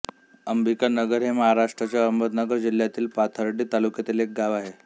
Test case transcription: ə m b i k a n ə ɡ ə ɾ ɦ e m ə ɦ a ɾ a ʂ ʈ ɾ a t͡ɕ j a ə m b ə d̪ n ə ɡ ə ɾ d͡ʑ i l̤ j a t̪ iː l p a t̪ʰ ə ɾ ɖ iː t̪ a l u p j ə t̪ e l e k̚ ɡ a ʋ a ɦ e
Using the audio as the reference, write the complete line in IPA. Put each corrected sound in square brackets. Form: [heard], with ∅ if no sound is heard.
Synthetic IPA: ə m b i k a n ə ɡ ə ɾ ɦ e m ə ɦ a ɾ a ʂ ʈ ɾ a t͡ɕ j a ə m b ə d̪ n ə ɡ ə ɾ d͡ʑ i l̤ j a t̪ iː l p a t̪ʰ ə ɾ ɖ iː t̪ a l u [k] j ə t̪ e l e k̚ ɡ a ʋ a ɦ e